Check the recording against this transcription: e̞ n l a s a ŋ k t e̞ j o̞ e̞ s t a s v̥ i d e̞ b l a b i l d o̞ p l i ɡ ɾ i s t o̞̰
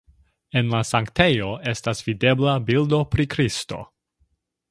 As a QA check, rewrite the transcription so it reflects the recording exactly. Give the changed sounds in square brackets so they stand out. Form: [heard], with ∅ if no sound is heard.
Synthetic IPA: e̞ n l a s a ŋ k t e̞ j o̞ e̞ s t a s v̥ i d e̞ b l a b i l d o̞ p [ɾ] i [k] ɾ i s t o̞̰